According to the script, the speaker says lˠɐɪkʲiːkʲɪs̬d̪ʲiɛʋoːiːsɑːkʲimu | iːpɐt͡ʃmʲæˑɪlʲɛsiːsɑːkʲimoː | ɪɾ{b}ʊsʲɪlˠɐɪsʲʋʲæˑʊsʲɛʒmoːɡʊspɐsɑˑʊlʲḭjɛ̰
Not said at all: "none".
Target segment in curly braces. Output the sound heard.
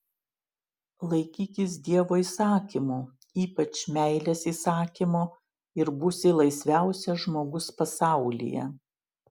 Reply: b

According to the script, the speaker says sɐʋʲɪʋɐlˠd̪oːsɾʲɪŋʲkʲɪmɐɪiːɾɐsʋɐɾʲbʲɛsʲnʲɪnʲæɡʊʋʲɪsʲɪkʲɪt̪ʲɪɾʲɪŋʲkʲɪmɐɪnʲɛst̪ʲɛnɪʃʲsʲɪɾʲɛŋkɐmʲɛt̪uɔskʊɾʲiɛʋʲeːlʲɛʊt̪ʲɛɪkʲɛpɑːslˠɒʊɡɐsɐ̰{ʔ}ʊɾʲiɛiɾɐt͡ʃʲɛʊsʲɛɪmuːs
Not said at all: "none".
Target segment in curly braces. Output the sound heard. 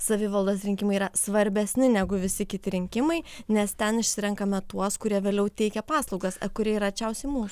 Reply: k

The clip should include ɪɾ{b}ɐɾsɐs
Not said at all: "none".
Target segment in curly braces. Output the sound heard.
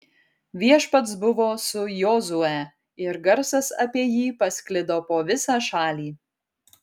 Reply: ɡ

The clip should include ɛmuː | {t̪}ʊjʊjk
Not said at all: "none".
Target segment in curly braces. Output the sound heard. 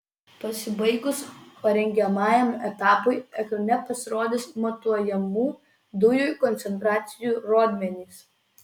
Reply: d̪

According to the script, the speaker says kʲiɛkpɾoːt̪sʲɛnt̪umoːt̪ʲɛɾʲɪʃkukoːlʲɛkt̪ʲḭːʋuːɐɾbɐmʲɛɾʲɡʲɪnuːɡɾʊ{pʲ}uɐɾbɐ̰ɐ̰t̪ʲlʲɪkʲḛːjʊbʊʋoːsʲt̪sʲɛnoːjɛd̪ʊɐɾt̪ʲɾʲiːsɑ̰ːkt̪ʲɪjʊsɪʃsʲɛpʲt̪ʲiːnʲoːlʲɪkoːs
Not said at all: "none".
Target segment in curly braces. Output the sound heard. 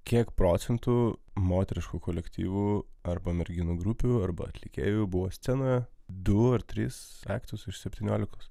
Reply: pʲ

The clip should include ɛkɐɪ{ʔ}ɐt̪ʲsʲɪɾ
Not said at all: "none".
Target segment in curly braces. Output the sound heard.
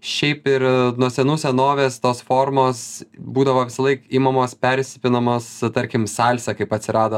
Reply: p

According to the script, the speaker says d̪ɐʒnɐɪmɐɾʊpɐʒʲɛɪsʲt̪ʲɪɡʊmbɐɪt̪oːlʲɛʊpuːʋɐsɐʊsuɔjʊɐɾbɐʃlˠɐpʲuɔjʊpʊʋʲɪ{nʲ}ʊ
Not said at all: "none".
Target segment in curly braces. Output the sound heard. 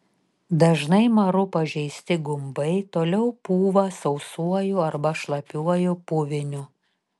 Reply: nʲ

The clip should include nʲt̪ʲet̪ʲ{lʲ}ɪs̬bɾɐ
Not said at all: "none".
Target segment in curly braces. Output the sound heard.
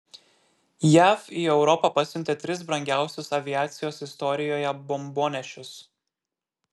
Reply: ɾʲ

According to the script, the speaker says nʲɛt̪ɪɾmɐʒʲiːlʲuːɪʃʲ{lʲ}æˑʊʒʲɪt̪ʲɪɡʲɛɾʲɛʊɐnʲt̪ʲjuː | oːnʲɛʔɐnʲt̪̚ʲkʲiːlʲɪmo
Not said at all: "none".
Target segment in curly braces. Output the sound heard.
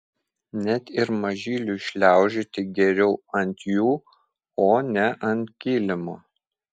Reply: lʲ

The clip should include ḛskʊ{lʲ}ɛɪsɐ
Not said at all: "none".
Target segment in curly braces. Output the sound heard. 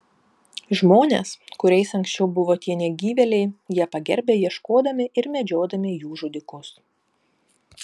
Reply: ɾʲ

